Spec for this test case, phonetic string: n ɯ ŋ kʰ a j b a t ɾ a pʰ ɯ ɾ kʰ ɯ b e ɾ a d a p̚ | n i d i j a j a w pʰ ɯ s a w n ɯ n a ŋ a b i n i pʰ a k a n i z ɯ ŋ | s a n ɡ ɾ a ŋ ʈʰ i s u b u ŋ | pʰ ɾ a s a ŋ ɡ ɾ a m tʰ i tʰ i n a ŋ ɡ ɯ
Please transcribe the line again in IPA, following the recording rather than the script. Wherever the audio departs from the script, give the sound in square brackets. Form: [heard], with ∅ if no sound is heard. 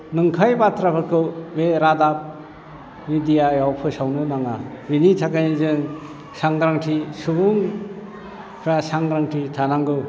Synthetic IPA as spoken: n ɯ ŋ kʰ a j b a t ɾ a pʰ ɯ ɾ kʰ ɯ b e ɾ a d a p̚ | n i d i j a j a w pʰ ɯ s a w n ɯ n a ŋ a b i n i [tʰ] a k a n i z ɯ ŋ | s a [ŋ] ɡ ɾ a ŋ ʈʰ i s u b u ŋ | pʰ ɾ a s a ŋ ɡ ɾ a [ŋ] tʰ i tʰ [a] n a ŋ ɡ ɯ

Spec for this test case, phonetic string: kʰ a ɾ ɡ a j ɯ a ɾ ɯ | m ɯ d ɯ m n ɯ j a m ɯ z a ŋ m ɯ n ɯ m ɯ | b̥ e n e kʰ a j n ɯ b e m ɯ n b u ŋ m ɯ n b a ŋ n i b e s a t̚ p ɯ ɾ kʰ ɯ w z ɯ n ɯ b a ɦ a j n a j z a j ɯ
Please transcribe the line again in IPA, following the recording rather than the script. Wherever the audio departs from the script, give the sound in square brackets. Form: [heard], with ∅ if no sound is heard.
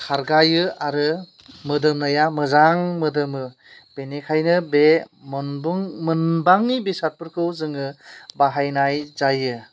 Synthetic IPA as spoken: kʰ a ɾ ɡ a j ɯ a ɾ ɯ | m ɯ d ɯ m n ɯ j a m ɯ z a ŋ m ɯ [d] ɯ m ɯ | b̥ e n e kʰ a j n ɯ b e m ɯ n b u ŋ m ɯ n b a ŋ n i b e s a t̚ p ɯ ɾ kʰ ɯ w z ɯ [ŋ] ɯ b a ɦ a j n a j z a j ɯ

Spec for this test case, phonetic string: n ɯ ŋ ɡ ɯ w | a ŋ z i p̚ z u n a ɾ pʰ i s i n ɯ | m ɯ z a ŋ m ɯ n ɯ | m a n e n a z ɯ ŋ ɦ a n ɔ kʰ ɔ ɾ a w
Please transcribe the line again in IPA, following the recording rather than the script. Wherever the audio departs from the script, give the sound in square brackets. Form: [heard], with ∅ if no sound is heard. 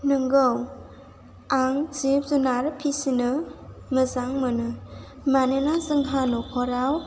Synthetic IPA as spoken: n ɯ ŋ ɡ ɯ w | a ŋ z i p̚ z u n a ɾ pʰ i s i n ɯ | m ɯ z a ŋ m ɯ n ɯ | m a n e n a z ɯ ŋ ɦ a n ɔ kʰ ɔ ɾ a w

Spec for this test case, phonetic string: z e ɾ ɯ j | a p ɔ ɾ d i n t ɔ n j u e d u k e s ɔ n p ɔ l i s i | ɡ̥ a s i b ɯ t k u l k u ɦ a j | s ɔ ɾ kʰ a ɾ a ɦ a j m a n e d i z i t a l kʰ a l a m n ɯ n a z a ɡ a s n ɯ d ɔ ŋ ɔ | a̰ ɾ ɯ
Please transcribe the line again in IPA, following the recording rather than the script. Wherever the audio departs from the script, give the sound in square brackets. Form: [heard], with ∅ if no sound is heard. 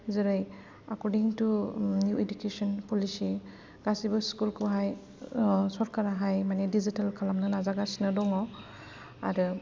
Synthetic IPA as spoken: z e ɾ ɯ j | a [k] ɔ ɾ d i [ŋ] t [u] n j u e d u k e s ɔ n p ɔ l i s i | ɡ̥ a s i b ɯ [s] k u l k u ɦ a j | s ɔ ɾ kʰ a ɾ a ɦ a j m a n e d i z i t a l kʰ a l a m n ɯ n a z a ɡ a s n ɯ d ɔ ŋ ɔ | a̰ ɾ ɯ

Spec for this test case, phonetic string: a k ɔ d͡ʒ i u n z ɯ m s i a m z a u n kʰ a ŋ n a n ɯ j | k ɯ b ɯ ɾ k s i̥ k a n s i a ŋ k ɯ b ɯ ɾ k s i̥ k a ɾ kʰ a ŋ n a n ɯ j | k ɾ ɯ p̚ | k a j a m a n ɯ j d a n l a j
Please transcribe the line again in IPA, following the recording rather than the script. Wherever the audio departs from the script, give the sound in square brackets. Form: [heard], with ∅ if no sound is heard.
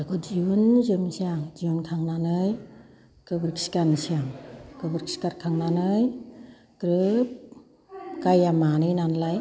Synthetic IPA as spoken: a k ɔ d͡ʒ i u n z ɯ m s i a [ŋ] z [i] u n kʰ a ŋ n a n ɯ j | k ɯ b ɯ ɾ k s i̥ k a n s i a ŋ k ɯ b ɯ ɾ k s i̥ k a ɾ kʰ a ŋ n a n ɯ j | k ɾ ɯ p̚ | k a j a m a n ɯ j [n] a n l a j

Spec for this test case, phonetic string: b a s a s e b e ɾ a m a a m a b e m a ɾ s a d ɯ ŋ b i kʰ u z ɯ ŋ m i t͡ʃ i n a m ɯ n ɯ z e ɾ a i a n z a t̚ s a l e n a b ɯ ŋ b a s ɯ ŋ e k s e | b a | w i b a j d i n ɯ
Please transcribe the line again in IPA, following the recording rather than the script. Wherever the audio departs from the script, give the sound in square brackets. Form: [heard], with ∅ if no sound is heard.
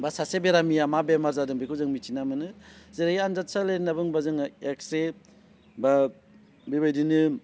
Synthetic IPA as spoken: b a s a s e b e ɾ a m [i] a m a b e m a ɾ [z] a d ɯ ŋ b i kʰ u z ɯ ŋ m i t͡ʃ i n a m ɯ n ɯ z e ɾ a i a n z a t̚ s a l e n a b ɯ ŋ b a [z] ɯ ŋ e k s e | b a | [b] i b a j d i n ɯ

